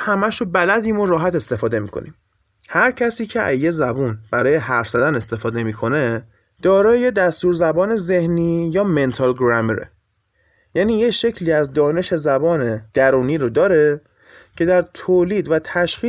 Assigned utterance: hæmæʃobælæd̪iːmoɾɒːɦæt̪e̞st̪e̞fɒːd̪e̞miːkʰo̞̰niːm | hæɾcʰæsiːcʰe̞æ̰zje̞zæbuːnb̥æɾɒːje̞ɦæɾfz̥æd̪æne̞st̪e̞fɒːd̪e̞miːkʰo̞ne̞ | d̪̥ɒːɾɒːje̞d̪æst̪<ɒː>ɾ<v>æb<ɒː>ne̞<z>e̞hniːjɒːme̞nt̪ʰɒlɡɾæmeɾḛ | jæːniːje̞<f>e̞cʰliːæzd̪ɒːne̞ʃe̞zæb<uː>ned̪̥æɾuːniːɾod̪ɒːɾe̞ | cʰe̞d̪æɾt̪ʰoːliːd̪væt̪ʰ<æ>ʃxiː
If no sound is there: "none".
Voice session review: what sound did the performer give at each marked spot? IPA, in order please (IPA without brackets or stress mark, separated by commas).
uː, z, ɒː, z, ʃ, ɒː, æ